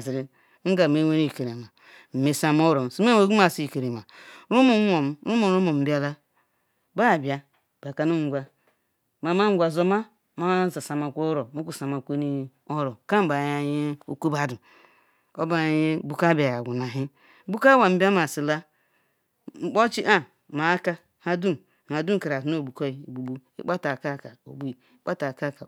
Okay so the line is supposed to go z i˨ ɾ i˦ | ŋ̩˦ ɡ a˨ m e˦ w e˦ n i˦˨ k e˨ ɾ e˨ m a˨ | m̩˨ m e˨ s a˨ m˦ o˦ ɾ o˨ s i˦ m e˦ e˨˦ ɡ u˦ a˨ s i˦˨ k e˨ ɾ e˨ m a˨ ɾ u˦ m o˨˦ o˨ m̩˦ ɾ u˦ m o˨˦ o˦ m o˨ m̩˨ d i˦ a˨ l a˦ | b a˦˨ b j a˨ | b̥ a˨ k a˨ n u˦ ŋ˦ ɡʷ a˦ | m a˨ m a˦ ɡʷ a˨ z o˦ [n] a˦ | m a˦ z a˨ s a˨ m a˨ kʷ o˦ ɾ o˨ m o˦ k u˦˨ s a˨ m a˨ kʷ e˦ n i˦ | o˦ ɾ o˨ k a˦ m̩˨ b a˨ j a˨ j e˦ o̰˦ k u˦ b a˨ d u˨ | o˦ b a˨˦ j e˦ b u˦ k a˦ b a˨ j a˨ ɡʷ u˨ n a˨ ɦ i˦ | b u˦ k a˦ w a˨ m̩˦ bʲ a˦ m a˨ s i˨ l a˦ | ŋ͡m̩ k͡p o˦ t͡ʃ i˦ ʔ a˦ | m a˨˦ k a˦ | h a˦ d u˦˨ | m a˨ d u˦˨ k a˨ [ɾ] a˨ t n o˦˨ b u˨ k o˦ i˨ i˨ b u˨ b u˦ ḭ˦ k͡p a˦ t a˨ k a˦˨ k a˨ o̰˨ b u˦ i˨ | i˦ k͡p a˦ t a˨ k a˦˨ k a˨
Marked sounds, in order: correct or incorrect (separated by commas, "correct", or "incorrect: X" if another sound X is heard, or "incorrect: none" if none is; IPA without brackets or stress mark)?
incorrect: m, correct